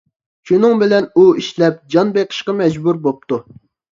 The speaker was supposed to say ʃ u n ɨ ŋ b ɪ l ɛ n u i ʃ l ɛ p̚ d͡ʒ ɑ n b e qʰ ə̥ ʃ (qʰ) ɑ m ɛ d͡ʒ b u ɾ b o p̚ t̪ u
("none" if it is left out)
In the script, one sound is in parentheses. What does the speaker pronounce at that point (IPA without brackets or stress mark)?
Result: q